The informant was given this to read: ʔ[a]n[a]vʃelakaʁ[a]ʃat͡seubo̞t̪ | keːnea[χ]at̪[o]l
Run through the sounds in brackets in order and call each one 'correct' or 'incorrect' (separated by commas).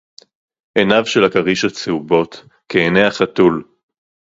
incorrect, correct, incorrect, correct, incorrect